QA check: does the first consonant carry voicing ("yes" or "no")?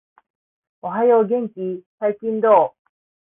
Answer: yes